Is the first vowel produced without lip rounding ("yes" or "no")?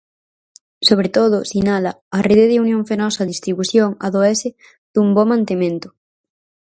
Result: no